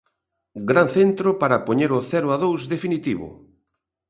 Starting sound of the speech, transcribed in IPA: ɡ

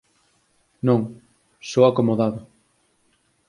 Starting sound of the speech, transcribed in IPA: n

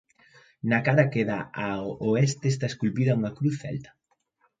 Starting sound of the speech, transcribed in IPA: n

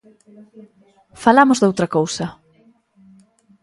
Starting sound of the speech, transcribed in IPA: f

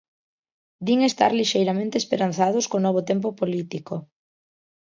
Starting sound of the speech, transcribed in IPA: d̪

